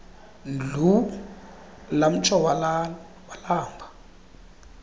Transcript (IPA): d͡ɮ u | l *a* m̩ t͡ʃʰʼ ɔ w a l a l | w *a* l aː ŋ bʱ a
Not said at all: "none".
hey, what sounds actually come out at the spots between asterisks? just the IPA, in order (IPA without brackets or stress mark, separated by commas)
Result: a, a